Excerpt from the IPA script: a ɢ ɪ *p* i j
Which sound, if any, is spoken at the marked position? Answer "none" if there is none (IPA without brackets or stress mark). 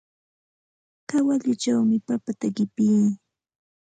p